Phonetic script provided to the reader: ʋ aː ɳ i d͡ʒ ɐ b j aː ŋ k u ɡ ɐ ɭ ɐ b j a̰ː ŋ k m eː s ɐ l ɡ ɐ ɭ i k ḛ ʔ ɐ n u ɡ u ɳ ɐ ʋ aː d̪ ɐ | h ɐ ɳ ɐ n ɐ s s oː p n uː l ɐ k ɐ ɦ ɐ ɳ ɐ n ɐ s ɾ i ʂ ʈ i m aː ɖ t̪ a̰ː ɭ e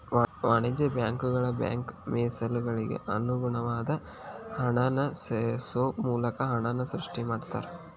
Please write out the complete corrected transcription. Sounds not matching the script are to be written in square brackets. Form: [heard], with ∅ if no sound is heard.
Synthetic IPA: ʋ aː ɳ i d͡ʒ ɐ b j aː ŋ k u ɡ ɐ ɭ ɐ b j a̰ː ŋ k m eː s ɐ l ɡ ɐ ɭ i [ɡ] ḛ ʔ ɐ n u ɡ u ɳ ɐ ʋ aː d̪ ɐ | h ɐ ɳ ɐ n ɐ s s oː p [m] uː l ɐ k ɐ ɦ ɐ ɳ ɐ n ɐ s ɾ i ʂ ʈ i m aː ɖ t̪ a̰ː [ɾ] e